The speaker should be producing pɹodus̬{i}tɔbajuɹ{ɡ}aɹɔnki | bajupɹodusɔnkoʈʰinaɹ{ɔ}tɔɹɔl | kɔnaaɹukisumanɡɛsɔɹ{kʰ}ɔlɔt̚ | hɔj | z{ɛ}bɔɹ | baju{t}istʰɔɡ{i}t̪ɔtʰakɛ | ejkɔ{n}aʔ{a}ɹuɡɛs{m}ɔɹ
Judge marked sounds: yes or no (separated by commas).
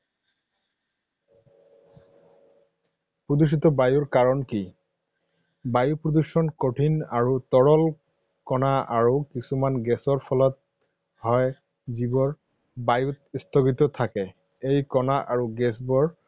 yes, no, no, no, no, yes, yes, yes, yes, no